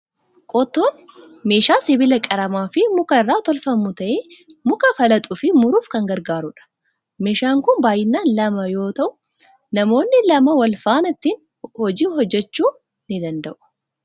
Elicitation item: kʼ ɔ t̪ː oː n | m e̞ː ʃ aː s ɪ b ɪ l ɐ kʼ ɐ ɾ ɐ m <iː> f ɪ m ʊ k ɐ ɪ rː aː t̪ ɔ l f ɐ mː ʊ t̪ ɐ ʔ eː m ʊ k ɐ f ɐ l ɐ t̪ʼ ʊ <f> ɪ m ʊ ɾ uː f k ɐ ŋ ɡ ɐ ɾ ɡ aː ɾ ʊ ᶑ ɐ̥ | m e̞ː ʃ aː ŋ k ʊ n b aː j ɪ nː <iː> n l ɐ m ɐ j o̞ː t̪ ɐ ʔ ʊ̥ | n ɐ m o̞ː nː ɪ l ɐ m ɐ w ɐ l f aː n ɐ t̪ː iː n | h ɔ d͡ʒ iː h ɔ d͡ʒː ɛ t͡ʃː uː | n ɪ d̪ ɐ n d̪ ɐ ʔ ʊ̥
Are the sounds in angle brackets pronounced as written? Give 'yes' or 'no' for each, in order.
no, yes, no

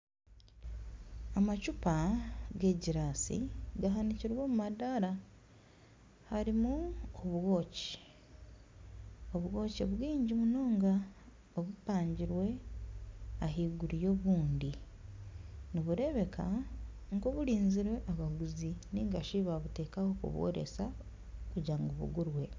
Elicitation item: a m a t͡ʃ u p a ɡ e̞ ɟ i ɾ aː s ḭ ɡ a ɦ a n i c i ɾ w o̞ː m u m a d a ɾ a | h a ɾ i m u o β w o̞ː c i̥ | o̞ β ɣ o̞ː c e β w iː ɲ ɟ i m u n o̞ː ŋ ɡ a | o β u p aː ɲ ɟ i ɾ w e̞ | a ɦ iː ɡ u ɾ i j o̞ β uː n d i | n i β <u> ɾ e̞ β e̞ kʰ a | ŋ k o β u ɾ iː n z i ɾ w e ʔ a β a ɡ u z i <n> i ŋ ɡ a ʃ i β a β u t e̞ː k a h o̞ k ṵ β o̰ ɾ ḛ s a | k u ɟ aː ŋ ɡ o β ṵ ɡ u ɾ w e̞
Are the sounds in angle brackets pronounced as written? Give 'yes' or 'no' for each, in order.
yes, yes

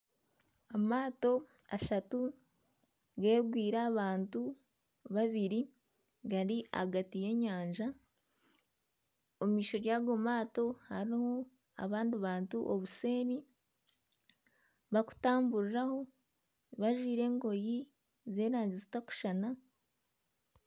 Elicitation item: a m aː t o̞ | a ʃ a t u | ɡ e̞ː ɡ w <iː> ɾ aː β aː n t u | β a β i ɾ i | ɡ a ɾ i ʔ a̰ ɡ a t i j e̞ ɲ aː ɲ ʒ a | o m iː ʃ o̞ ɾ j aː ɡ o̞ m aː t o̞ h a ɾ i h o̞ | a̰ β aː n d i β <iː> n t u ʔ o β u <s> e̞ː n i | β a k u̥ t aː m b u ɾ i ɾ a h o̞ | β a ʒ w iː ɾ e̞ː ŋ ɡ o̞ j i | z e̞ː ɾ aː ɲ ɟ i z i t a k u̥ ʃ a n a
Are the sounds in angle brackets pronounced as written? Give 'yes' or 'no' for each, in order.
yes, no, yes

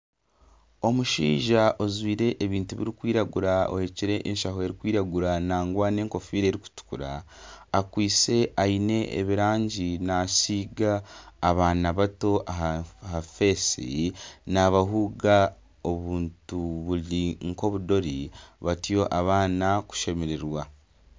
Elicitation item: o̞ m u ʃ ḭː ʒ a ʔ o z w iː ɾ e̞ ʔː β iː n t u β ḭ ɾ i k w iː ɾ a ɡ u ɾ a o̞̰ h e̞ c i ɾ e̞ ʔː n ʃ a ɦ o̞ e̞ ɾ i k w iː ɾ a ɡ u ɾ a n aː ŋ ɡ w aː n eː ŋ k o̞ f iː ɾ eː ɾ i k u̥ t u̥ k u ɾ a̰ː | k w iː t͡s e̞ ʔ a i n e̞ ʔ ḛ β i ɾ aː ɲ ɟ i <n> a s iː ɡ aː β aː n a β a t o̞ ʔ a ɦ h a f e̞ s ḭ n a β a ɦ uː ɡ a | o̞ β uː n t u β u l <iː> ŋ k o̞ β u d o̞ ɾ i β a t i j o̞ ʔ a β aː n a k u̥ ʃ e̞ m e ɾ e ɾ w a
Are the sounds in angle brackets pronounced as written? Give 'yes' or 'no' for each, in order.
yes, no

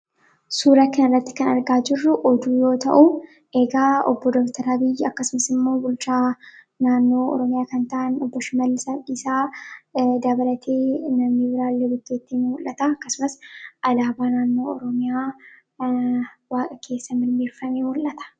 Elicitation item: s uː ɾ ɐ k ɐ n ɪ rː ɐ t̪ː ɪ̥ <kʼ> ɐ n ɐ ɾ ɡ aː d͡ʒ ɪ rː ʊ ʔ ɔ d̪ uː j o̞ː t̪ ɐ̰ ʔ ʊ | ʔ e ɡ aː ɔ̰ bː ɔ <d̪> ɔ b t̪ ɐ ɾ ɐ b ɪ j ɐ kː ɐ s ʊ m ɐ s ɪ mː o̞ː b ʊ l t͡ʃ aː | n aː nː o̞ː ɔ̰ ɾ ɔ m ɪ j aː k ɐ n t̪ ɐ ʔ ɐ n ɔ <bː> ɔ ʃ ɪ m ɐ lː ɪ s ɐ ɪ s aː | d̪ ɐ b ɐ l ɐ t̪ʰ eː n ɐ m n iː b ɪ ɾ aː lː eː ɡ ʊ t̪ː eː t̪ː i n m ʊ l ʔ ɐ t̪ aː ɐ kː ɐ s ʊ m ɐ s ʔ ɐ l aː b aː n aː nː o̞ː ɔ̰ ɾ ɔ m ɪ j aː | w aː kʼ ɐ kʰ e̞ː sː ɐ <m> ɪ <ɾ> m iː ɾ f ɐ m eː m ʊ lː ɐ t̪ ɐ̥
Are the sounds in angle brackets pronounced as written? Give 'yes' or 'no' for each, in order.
no, yes, yes, yes, yes

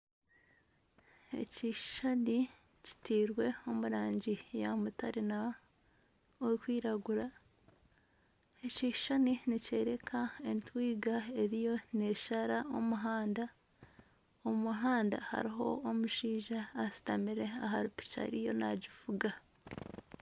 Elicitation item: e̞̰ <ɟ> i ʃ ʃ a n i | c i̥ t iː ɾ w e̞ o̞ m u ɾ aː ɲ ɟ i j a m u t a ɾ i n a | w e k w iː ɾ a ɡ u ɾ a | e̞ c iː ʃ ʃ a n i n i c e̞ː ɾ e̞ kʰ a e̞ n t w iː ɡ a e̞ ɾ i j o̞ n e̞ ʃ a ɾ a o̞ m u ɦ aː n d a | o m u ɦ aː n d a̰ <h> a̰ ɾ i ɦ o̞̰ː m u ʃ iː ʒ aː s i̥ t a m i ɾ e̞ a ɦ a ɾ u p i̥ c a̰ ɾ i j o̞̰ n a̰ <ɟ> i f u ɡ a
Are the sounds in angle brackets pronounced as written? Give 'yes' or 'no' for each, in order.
no, yes, yes

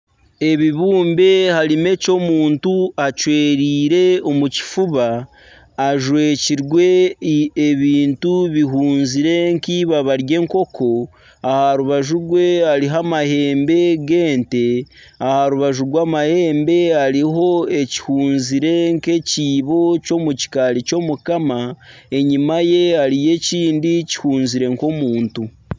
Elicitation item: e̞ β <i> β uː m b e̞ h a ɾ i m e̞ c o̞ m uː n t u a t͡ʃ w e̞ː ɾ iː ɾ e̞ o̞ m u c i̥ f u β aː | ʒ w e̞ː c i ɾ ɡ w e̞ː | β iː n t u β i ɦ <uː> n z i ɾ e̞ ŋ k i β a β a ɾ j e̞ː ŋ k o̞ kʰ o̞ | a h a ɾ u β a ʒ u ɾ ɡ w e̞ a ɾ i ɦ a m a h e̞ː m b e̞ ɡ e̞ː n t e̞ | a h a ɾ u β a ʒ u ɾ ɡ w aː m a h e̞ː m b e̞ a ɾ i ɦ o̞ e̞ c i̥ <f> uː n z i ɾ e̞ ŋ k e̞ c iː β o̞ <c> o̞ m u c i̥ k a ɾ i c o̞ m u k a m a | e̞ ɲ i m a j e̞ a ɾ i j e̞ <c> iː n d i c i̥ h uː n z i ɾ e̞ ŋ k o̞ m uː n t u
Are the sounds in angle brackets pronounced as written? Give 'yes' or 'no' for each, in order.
yes, yes, no, yes, yes

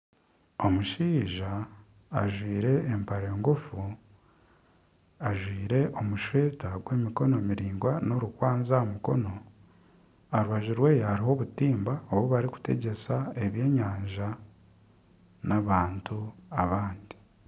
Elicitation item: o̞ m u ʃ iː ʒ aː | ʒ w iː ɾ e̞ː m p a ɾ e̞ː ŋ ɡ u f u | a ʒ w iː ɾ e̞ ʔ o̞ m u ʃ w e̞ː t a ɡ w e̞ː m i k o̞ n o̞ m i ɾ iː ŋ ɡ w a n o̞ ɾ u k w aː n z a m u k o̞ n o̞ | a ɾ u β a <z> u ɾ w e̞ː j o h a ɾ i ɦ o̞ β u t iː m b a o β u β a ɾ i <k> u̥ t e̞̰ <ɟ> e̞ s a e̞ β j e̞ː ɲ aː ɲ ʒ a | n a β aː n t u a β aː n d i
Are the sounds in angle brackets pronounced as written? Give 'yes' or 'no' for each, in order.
no, yes, yes

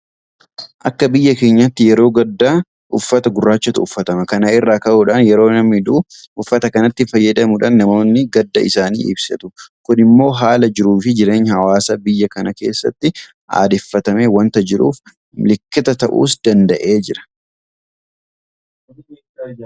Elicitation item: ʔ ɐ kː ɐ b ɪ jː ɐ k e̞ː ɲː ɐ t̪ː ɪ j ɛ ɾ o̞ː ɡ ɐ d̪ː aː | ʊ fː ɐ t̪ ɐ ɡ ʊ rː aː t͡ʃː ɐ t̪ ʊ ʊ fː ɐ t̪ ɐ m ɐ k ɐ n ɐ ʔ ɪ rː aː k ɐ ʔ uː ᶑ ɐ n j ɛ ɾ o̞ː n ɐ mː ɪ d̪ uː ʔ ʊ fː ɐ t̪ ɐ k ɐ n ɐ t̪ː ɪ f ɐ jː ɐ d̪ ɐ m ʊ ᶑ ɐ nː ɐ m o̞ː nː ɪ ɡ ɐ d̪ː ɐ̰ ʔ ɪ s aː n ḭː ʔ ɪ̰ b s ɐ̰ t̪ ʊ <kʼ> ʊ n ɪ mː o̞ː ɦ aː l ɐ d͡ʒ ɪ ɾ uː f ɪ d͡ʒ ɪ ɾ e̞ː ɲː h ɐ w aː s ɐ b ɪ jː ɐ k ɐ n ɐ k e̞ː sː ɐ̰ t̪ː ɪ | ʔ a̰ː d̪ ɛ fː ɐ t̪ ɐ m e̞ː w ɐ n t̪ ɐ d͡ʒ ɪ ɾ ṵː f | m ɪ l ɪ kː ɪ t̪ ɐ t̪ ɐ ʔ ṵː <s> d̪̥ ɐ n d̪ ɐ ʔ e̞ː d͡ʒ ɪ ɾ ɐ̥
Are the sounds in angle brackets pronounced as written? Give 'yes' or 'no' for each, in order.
no, yes

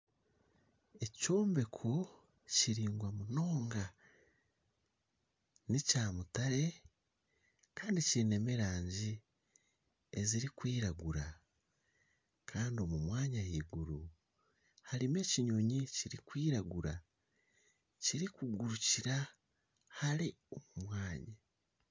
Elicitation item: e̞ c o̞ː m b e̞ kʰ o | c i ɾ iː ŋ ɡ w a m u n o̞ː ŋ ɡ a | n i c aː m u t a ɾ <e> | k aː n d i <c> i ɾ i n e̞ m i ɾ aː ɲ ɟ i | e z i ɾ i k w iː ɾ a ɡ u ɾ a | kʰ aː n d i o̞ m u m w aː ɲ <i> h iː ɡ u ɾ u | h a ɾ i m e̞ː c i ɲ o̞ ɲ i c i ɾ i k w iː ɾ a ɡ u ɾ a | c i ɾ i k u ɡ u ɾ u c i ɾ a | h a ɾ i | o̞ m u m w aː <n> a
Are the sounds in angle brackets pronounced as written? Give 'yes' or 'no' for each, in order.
yes, yes, no, no

